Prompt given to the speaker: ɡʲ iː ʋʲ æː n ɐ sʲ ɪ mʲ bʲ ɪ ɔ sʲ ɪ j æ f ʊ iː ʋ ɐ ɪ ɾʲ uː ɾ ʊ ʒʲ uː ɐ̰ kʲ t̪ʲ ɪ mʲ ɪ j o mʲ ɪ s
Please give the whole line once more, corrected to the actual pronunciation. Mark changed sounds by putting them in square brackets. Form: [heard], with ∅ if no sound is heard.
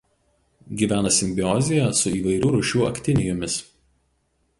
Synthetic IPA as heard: ɡʲ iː ʋʲ æː n ɐ sʲ ɪ mʲ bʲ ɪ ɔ [zʲ] ɪ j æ [s] ʊ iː ʋ ɐ ɪ ɾʲ uː ɾ ʊ [ʃʲ] uː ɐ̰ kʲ t̪ʲ ɪ [nʲ] ɪ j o mʲ ɪ s